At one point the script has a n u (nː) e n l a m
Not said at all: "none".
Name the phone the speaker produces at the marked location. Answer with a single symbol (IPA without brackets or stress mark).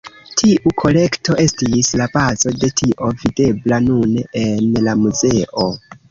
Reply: n